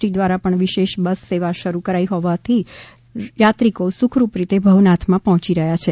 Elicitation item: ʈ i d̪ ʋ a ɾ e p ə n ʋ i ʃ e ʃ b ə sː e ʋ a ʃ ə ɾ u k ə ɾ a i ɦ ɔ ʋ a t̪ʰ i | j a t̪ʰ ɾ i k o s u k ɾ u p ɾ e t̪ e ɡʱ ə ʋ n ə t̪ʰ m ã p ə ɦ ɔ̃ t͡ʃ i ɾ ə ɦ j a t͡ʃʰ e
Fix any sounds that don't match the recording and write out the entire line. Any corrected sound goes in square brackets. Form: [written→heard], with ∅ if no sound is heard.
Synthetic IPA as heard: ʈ i d̪ ʋ a ɾ [e→a] p ə [n→ɳ] ʋ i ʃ e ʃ b ə sː e ʋ a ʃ ə ɾ u k ə ɾ a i ɦ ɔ ʋ a t̪ʰ i | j a [t̪ʰ→t̪] ɾ i k o s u [k→kʰ] ɾ u p ɾ [e→i] t̪ e [ɡʱ→bʱ] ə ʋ n [ə→a] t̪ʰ m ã p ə ɦ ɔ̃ t͡ʃ i ɾ ə ɦ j a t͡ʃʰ e

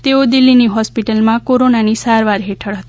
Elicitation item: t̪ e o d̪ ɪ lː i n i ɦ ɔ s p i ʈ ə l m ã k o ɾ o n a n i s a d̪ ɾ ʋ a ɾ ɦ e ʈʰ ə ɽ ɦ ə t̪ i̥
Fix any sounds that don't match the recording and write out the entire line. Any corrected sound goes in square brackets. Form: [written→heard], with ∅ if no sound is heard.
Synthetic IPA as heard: t̪ e o d̪ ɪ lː i n i ɦ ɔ s p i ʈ ə l m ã k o ɾ o n a n i s a [d̪→∅] ɾ ʋ a ɾ ɦ e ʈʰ ə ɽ ɦ ə t̪ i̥

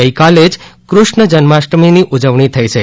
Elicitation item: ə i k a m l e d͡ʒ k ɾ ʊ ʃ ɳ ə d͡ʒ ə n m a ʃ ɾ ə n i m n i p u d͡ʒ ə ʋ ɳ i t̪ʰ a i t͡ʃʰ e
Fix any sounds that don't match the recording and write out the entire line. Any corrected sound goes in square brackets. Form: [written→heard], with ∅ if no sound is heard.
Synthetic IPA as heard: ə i k a [m→∅] l e d͡ʒ k ɾ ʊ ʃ ɳ ə d͡ʒ ə n m a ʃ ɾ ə [n→m] i [m→∅] n i [p→ʔ] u d͡ʒ ə ʋ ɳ i t̪ʰ [a→ə] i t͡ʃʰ e

